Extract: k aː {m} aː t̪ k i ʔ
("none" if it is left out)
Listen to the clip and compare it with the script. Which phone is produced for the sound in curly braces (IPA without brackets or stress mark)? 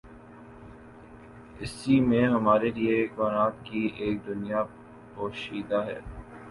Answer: n